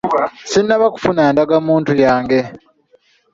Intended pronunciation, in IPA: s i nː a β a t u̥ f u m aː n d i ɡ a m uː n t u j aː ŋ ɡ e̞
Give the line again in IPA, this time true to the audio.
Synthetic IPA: s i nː a β a k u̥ f u n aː n d a ɡ a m uː n t u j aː ŋ ɡ e̞